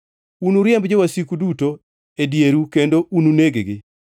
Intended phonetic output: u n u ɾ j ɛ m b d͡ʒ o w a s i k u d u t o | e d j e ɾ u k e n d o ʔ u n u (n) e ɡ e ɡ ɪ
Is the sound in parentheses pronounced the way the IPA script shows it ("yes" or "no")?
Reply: yes